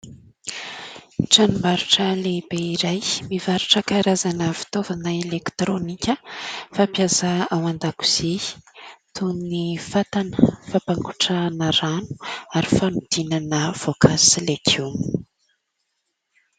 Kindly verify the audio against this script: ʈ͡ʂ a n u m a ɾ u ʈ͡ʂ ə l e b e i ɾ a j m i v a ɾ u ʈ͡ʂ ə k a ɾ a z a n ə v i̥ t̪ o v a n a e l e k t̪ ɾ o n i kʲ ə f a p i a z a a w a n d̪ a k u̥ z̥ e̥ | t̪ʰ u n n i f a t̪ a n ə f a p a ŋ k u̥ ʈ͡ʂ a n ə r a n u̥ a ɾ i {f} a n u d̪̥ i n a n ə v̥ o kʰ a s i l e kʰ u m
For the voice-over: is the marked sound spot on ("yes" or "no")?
yes